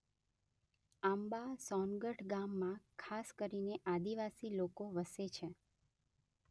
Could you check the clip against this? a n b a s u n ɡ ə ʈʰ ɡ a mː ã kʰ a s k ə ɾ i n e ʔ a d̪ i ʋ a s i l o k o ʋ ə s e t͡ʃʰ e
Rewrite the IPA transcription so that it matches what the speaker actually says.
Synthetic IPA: a m b a s ɔ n ɡ ə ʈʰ ɡ a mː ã kʰ a s k ə ɾ i n e ʔ a d̪ i ʋ a s i l o k o ʋ ə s e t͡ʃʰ e